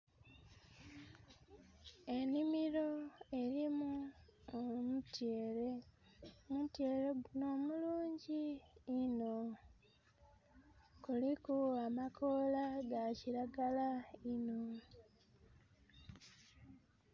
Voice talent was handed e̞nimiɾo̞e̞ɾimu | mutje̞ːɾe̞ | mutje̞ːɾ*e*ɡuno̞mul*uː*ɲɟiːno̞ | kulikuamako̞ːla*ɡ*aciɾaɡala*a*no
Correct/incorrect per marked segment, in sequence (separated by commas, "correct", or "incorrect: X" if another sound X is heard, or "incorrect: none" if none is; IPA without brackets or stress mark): correct, correct, correct, incorrect: i